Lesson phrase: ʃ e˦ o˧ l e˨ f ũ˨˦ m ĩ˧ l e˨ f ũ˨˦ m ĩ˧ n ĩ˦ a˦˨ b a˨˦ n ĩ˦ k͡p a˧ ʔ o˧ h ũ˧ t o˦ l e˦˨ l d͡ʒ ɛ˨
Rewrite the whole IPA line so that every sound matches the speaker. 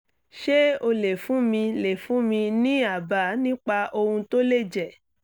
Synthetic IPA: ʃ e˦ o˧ l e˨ f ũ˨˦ m ĩ˧ l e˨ f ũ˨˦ m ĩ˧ n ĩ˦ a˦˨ b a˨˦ n ĩ˦ k͡p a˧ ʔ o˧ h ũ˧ t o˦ l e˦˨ d͡ʒ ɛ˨

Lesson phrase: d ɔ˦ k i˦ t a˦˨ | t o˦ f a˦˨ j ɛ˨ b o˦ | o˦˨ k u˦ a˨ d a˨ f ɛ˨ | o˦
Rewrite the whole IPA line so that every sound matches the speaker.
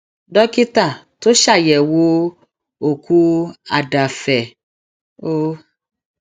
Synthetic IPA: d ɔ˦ k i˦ t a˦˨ | t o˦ ʃ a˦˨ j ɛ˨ w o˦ | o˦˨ k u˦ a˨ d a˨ f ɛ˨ | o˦

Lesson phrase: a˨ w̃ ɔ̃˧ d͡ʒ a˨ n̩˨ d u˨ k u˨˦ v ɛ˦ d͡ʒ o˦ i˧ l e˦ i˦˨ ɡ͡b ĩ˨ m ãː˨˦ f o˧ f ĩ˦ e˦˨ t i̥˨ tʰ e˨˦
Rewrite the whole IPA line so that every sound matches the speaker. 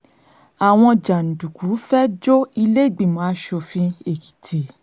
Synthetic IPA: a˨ w̃ ɔ̃˧ d͡ʒ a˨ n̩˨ d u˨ k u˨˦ f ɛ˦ d͡ʒ o˦ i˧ l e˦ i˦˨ ɡ͡b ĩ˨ m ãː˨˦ ʃ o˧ f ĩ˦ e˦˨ k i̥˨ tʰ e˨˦

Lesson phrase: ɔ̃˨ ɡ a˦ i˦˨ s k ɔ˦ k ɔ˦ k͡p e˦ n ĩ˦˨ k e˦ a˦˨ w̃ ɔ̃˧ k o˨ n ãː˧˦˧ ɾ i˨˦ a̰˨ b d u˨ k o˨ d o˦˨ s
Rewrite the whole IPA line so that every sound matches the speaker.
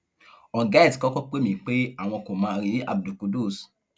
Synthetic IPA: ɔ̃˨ ɡ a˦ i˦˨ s k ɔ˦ k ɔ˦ k͡p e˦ m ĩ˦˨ k͡p e˦ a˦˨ w̃ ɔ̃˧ k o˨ m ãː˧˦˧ ɾ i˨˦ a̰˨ b d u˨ k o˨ d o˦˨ s

